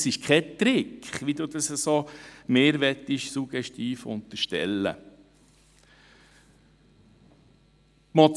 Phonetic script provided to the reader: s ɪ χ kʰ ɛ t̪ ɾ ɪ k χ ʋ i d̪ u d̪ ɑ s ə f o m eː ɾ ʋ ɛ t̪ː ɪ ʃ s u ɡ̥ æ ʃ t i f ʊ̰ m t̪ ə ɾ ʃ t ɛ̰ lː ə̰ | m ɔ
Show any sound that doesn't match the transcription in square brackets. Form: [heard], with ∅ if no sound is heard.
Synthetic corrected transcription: s ɪ [ʃ] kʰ ɛ t̪ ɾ ɪ k χ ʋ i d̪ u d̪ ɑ s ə [s] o m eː ɾ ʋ ɛ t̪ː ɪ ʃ s u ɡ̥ [ɛ] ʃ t [iː] f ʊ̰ [n] t̪ ə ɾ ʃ t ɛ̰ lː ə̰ | m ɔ